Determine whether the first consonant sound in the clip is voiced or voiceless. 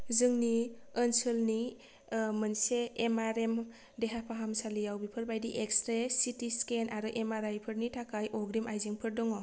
voiced